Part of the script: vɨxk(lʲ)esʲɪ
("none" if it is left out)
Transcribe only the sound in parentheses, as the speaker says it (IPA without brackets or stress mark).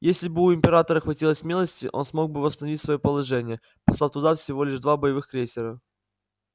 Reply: ɾʲ